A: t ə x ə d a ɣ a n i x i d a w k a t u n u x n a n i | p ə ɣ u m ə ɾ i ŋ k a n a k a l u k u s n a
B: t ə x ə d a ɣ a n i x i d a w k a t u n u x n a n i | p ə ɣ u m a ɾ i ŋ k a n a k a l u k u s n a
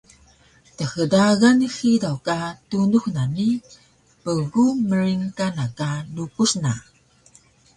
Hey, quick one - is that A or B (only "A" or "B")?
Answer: A